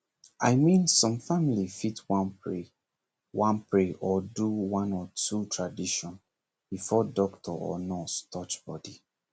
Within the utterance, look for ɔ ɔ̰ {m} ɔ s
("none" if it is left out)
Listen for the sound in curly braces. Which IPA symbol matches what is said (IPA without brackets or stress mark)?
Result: n